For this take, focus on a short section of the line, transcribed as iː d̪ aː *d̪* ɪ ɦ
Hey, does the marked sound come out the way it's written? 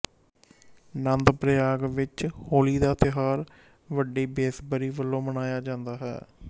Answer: no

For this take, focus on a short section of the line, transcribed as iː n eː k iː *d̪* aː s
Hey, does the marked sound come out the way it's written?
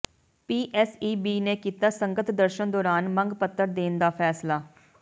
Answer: no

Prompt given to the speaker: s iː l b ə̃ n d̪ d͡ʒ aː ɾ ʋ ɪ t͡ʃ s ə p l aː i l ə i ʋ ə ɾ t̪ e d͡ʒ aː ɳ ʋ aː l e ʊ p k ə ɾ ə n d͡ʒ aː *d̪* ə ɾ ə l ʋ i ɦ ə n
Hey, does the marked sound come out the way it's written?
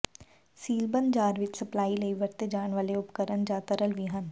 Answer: no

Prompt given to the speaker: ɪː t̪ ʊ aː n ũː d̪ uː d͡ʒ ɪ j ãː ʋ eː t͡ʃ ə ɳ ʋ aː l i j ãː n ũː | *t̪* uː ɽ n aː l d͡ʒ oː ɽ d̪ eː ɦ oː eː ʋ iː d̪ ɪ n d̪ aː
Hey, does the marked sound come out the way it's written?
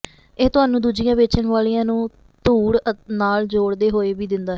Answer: yes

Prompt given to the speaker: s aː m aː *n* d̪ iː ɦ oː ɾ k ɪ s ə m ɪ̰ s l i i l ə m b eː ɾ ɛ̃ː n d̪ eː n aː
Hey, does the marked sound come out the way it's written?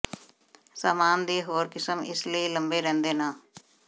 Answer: yes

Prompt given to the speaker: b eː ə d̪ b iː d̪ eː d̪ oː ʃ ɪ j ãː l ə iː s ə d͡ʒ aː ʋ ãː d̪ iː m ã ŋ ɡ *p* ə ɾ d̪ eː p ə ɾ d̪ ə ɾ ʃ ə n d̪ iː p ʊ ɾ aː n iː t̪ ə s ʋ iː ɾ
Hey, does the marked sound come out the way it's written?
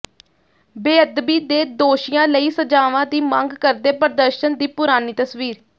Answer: no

